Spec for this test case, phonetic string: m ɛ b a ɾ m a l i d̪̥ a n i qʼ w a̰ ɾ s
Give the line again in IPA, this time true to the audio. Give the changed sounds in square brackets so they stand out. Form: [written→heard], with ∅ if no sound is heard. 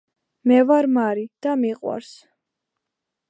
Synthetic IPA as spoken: m ɛ [b→v] a ɾ m a [l→ɾ] i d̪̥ a [n→m] i qʼ w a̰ ɾ s